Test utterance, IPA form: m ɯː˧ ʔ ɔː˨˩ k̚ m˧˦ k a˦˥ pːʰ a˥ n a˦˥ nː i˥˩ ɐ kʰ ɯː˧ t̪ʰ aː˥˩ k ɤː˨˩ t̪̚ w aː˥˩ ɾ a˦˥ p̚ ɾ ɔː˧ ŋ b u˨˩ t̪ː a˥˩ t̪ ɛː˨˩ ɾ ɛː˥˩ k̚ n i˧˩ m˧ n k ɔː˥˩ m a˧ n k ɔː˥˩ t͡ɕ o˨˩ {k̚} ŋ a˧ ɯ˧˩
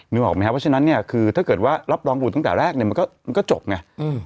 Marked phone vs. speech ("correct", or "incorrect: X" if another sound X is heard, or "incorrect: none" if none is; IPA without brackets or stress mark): incorrect: p̚